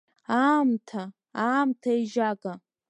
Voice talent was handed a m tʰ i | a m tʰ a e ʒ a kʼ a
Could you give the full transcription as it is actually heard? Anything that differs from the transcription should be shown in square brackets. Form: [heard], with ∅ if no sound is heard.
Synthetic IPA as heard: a m tʰ [a] | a m tʰ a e ʒ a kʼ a